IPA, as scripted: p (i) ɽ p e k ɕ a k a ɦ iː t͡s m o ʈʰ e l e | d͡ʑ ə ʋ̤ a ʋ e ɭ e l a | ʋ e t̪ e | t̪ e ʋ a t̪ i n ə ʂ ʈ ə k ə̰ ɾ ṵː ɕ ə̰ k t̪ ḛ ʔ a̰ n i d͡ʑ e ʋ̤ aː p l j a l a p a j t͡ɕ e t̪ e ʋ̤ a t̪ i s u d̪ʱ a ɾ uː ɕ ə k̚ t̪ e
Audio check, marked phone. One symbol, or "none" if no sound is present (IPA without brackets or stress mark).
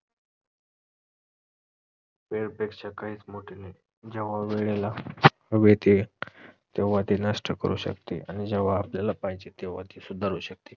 e